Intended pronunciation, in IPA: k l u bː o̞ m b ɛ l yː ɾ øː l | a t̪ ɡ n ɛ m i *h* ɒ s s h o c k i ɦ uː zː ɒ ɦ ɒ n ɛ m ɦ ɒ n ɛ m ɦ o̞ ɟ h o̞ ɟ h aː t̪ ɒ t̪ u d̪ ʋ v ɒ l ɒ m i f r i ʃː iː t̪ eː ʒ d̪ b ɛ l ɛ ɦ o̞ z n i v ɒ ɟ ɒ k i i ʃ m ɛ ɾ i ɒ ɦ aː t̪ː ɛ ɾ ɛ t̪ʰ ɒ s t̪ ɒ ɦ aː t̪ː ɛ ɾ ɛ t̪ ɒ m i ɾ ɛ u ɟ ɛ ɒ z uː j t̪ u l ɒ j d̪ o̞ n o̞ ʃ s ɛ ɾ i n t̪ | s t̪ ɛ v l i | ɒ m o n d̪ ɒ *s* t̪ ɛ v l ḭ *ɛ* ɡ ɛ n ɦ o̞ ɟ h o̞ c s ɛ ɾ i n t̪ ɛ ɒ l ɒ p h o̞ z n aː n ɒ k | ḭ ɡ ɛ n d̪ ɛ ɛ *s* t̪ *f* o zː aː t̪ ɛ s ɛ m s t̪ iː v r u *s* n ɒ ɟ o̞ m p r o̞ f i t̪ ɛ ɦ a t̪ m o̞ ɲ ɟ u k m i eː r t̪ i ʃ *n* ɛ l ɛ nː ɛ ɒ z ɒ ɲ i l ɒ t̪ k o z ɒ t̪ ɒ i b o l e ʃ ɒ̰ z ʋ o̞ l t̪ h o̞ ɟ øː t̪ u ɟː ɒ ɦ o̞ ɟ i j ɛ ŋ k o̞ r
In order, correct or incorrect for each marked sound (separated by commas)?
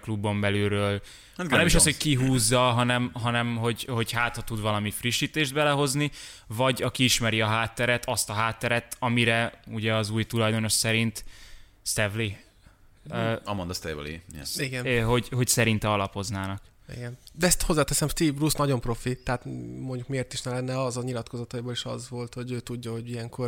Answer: incorrect, correct, incorrect, correct, incorrect, correct, correct